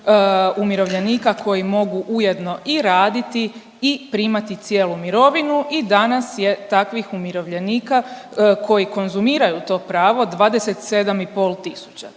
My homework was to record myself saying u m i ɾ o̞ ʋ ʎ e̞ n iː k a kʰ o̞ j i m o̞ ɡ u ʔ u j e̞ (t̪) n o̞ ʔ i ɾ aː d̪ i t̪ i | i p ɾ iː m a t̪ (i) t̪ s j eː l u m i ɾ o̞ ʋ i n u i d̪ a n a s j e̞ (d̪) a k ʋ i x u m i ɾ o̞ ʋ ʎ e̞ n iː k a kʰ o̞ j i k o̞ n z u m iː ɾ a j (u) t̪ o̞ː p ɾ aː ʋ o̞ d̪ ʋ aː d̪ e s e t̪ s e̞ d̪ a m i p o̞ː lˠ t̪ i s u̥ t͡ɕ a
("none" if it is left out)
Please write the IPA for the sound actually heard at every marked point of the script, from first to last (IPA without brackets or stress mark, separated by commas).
d̪, i, t̪, u